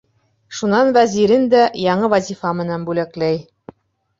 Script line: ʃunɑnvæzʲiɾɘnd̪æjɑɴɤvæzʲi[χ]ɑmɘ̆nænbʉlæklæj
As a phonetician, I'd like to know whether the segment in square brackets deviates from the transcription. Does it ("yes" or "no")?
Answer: yes